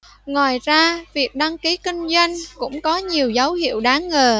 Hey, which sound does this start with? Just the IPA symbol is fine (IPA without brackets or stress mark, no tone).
ŋ